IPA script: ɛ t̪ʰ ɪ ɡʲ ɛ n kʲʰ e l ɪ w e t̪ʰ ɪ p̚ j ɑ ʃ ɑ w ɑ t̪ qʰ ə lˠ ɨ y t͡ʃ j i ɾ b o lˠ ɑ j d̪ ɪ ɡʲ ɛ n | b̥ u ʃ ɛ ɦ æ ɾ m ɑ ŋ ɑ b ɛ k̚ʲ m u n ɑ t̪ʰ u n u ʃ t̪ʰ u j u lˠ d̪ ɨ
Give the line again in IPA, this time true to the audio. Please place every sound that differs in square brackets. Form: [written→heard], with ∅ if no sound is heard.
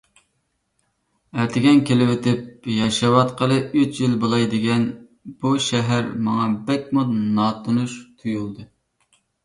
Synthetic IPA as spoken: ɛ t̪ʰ ɪ ɡʲ ɛ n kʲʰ e l ɪ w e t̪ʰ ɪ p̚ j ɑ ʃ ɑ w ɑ t̪ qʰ ə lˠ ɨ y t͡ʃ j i [ɾ→l] b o lˠ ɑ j d̪ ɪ ɡʲ ɛ n | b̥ u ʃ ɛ ɦ æ ɾ m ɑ ŋ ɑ b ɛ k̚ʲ m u n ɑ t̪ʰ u n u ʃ t̪ʰ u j u lˠ d̪ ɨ